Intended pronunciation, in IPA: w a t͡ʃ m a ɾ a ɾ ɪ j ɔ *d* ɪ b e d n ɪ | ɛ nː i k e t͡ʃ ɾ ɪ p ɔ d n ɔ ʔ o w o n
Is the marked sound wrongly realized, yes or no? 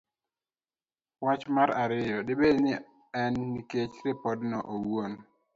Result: no